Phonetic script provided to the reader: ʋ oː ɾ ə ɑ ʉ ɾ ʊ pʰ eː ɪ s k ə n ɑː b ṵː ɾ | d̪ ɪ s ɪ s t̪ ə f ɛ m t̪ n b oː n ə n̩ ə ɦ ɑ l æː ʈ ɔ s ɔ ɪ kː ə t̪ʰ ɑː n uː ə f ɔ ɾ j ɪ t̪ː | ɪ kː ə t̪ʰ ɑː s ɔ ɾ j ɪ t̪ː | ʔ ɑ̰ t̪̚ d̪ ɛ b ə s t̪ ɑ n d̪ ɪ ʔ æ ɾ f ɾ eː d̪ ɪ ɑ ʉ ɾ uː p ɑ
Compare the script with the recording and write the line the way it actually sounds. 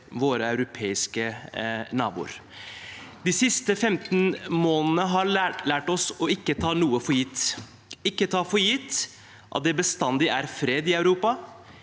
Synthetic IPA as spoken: ʋ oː ɾ ə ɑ ʉ ɾ ʊ pʰ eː ɪ s k ə n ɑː b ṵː ɾ | d̪ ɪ s ɪ s t̪ ə f ɛ m t̪ n m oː n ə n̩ ə ɦ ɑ l æː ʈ ɔ s ɔ ɪ kː ə t̪ʰ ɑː n uː ə f ɔ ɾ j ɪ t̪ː | ɪ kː ə t̪ʰ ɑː f ɔ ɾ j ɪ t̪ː | ʔ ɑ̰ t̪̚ d̪ ɛ b ə s t̪ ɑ n d̪ ɪ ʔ æ ɾ f ɾ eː d̪ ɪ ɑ ʉ ɾ uː p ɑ